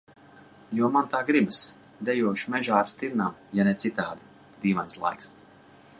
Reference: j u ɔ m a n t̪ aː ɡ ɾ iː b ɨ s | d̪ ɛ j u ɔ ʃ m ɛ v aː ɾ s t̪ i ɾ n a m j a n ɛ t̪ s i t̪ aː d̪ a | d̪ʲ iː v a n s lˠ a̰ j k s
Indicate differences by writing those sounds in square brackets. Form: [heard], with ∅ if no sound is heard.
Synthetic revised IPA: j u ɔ m a n t̪ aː ɡ ɾ [i] b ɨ s | d̪ ɛ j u ɔ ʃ m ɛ [ʒ] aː ɾ s t̪ i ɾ n a m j a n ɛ t̪ s i t̪ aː d̪ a | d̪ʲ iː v a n s lˠ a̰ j k s

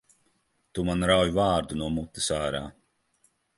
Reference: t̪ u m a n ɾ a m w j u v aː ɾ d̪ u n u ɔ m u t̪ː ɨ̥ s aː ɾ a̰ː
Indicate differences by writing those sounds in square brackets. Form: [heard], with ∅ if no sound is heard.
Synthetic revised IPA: t̪ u m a n ɾ a [∅] w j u v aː ɾ d̪ u n u ɔ m u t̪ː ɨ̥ s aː ɾ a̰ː

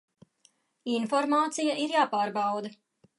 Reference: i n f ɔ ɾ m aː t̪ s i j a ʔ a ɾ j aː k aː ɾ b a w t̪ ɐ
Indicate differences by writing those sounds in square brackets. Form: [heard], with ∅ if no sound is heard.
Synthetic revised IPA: i n f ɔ ɾ m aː t̪ s i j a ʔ [i] ɾ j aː [p] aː ɾ b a w [d̪] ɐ

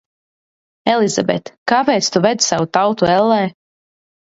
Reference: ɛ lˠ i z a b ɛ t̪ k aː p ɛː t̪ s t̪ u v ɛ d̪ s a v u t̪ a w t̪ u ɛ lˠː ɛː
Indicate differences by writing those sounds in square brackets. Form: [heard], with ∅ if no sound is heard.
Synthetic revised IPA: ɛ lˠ i z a b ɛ t̪ k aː p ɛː t̪ s t̪ u v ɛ d̪ s a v u t̪ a w t̪ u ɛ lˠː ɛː

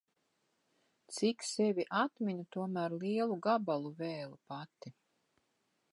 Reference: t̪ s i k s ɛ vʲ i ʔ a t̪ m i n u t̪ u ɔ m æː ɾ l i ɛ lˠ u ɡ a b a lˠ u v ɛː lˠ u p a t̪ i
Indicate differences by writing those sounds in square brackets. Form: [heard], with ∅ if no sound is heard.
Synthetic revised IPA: t̪ s i k s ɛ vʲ i ʔ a t̪ m i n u t̪ u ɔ m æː ɾ l i ɛ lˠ u ɡ a b a lˠ u v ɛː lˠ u p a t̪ i

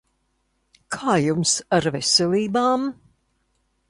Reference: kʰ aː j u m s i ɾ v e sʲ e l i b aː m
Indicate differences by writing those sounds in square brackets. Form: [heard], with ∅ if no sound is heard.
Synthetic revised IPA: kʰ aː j u m s [a] ɾ v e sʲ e l [iː] b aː m

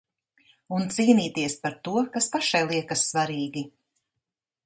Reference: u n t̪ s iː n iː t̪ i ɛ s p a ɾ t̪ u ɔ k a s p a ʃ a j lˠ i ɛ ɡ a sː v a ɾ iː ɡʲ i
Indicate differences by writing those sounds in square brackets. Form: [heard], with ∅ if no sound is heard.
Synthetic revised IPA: u n t̪ s iː n iː t̪ i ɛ s p a ɾ t̪ u ɔ k a s p a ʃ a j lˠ i ɛ [k] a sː v a ɾ iː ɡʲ i

